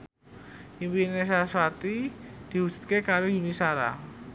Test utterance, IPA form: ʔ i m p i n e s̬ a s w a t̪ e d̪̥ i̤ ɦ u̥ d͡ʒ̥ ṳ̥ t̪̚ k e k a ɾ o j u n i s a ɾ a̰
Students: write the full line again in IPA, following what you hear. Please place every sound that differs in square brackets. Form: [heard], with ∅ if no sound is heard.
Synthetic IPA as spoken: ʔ i m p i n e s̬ a s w a t̪ [i] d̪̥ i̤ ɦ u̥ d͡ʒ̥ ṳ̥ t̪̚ k e k a ɾ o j u n i s a ɾ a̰

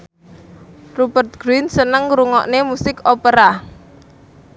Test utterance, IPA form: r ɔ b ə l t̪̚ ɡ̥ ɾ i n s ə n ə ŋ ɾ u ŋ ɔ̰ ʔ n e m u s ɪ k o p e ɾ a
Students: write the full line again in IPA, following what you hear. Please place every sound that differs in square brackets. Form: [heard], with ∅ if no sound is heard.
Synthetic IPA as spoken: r [u] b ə [r] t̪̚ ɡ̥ ɾ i n s ə n ə ŋ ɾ u ŋ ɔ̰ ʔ n e m u s ɪ k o p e ɾ a

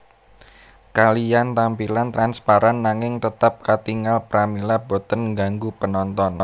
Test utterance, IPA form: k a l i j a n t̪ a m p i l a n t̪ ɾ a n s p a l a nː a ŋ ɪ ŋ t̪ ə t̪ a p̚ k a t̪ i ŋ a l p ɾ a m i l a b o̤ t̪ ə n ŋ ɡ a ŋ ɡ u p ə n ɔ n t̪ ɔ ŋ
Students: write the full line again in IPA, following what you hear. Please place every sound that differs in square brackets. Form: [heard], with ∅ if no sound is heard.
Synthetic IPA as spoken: k a l i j a n t̪ a m p i l a n t̪ ɾ a n s p a [ɾ] a nː a ŋ ɪ ŋ t̪ ə t̪ a p̚ k a t̪ i ŋ a l p ɾ a m i l a b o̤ t̪ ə n ŋ ɡ a ŋ ɡ u p ə n ɔ n t̪ ɔ [n]

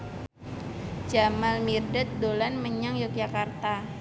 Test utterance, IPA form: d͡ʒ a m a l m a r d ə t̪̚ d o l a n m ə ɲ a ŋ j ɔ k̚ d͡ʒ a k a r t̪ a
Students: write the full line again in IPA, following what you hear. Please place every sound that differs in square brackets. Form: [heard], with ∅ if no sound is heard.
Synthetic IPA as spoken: d͡ʒ a m a l m [i] r d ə t̪̚ d o l a n m ə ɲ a ŋ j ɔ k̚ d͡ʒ a k a r t̪ a

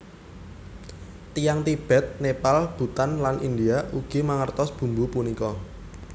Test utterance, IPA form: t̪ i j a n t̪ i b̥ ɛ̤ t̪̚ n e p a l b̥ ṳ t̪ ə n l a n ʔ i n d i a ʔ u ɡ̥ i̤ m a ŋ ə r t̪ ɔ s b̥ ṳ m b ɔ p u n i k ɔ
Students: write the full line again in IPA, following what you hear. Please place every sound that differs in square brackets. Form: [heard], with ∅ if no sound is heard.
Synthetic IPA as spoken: t̪ i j a [ŋ] t̪ i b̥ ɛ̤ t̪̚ n e p a l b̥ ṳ t̪ [a] n l a n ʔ i n d i a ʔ u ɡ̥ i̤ m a ŋ ə r t̪ ɔ s b̥ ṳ m b [u] p u n i k ɔ

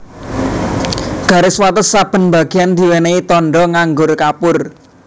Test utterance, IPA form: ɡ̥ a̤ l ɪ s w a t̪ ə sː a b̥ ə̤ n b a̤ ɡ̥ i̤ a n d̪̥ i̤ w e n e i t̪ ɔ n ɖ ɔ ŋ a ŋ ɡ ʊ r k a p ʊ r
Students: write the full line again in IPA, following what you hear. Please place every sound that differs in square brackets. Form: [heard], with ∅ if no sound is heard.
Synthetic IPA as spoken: ɡ̥ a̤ [ɾ] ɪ s w a t̪ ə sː a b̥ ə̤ n b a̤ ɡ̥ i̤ a n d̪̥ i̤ w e n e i t̪ ɔ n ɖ ɔ ŋ a ŋ ɡ ʊ r k a p ʊ r

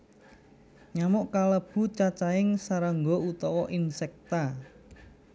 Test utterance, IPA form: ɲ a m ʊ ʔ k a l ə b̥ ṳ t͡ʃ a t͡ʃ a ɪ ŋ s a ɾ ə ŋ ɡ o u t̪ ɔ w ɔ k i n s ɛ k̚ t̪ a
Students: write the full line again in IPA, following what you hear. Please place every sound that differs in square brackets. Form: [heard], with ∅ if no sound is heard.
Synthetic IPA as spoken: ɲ a m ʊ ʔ k a l ə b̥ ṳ t͡ʃ a t͡ʃ a ɪ ŋ s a ɾ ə ŋ ɡ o u t̪ ɔ w ɔ [ʔ] i n s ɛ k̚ t̪ a

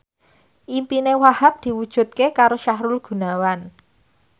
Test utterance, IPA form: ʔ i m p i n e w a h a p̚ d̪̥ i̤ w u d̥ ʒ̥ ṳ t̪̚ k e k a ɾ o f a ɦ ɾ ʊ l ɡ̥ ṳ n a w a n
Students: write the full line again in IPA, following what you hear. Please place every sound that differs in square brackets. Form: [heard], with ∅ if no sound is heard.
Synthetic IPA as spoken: ʔ i m p i n e w a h a p̚ d̪̥ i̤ w u d̥ ʒ̥ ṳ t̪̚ k e k a ɾ o [ʃ] a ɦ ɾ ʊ l ɡ̥ ṳ n a w a n

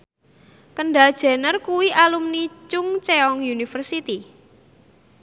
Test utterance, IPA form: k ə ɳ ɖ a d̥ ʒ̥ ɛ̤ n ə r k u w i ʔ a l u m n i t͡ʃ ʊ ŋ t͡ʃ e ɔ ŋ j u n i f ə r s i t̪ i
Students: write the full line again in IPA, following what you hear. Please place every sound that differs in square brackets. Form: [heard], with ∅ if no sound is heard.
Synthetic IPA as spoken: k ə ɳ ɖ a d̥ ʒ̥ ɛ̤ n ə r k u w i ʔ a l u m n i t͡ʃ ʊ ŋ t͡ʃ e ɔ ŋ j u n i f ə r s i t̪ i

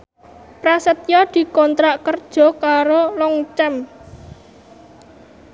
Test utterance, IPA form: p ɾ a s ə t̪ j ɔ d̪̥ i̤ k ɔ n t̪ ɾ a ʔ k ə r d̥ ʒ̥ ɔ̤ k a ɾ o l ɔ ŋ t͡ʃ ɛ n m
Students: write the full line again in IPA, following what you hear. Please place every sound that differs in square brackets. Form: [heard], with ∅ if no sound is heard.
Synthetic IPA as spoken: p ɾ a s ə t̪ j ɔ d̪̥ i̤ k ɔ n t̪ ɾ a ʔ k ə r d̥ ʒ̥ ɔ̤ k a ɾ o l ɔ ŋ t͡ʃ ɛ [∅] m

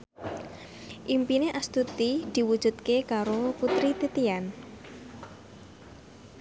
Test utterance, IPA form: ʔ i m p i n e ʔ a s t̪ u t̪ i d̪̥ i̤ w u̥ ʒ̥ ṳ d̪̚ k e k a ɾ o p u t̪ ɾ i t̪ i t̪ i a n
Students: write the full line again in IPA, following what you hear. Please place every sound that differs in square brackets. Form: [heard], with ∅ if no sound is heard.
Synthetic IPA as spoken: ʔ i m p i n e ʔ a s t̪ u t̪ i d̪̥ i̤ w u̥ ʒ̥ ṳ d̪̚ k e k a ɾ o p u t̪ ɾ i t̪ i t̪ i a n

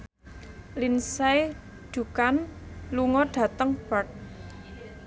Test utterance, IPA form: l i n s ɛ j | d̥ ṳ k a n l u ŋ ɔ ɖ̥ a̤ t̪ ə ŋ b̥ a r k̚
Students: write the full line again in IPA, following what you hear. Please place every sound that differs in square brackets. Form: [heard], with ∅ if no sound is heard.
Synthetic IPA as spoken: l i n s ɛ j | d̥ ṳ k a n l u ŋ ɔ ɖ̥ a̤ t̪ ə ŋ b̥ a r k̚

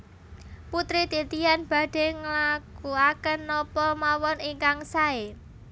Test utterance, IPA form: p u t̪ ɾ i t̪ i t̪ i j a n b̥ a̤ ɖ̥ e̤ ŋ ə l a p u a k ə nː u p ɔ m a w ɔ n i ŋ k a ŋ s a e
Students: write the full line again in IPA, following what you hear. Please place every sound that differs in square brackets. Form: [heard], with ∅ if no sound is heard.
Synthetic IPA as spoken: p u t̪ ɾ i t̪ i t̪ i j a n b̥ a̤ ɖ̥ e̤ ŋ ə l a [k] u a k ə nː [ɔ] p ɔ m a w ɔ n i ŋ k a ŋ s a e

